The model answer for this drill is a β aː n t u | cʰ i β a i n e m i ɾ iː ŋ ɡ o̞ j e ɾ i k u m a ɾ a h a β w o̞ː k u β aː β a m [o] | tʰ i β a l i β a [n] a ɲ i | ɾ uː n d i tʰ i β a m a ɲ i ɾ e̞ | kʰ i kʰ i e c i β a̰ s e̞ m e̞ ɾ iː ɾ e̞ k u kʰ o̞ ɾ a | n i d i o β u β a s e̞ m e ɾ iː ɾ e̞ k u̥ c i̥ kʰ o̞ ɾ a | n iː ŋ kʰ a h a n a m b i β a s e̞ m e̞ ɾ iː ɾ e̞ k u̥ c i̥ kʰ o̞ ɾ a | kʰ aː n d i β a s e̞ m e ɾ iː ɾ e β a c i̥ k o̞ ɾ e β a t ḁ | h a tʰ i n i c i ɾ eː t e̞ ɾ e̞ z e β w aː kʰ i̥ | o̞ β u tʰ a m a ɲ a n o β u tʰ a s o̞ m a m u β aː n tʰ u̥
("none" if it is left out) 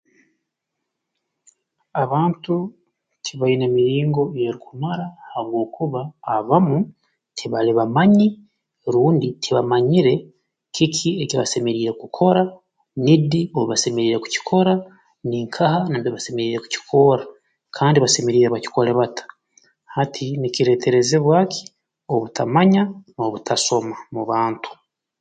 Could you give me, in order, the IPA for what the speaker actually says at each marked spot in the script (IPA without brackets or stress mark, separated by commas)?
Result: u, m